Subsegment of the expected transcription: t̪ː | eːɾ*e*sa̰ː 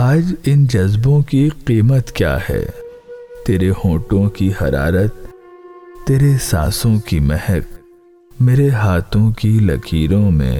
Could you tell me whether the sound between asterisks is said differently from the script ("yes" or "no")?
no